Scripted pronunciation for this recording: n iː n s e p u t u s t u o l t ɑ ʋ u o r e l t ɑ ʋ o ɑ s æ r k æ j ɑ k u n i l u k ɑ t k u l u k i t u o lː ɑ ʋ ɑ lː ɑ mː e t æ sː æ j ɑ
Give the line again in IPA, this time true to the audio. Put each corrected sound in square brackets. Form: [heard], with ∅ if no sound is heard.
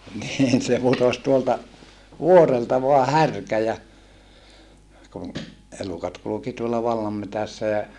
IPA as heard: n iː n s e p u t [o] s t u o l t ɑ ʋ u o r e l t ɑ ʋ o ɑ [h] æ r k æ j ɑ k u n [e] l u k ɑ t k u l u k i t u o lː ɑ ʋ ɑ lː ɑ mː e t æ sː æ j ɑ